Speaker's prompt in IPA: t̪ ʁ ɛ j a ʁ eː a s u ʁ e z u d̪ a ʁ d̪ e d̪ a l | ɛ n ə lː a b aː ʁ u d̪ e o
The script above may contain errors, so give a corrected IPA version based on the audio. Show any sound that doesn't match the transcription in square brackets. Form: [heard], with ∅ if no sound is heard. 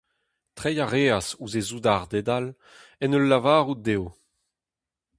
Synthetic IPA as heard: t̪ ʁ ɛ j a ʁ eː a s u [z] e z u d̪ a ʁ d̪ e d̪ a l | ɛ n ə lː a [v] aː ʁ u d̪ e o